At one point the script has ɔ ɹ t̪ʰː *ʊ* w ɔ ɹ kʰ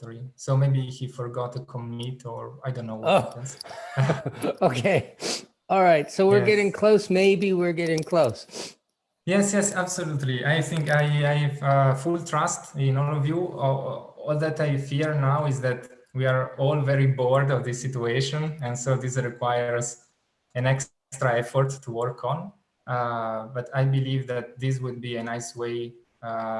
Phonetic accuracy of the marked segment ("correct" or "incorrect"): incorrect